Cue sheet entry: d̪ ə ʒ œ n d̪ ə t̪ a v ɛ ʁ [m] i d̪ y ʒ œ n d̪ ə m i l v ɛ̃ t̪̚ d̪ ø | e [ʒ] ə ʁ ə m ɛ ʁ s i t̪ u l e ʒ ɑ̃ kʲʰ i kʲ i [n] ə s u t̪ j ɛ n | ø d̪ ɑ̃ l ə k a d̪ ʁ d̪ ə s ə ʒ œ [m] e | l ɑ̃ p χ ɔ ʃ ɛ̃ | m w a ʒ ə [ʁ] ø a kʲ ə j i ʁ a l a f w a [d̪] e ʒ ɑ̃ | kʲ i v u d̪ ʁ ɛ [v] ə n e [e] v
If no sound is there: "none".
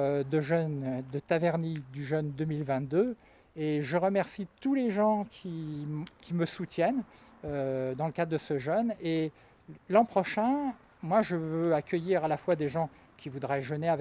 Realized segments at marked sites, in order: n, ʒ, m, n, v, d̪, ʒ, a

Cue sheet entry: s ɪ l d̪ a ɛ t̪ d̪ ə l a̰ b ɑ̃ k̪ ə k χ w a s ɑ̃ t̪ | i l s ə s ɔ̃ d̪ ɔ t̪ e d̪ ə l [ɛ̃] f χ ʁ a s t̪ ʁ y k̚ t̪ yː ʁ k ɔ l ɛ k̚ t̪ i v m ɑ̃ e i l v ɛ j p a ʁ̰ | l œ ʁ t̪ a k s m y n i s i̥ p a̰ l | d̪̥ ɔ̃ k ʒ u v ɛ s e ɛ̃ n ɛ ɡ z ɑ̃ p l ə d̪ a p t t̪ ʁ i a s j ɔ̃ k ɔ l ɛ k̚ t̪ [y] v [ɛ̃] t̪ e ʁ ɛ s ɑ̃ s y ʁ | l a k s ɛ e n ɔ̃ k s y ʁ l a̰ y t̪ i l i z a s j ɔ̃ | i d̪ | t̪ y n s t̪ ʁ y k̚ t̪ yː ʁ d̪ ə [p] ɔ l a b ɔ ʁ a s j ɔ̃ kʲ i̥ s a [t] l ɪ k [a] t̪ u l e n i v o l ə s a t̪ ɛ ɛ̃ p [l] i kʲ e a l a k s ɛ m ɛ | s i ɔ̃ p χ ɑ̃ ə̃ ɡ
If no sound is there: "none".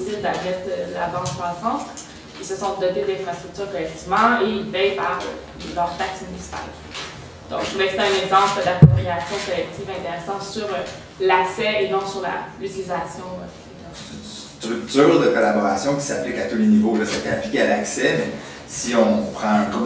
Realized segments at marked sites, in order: ɛ̃, i, ɛ̃, k, p, a, l

